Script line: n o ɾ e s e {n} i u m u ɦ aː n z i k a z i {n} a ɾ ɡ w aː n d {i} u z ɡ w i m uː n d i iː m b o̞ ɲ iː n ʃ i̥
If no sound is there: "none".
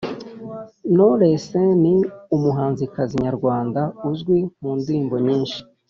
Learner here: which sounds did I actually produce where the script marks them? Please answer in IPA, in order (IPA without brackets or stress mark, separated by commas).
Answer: n, ɲ, a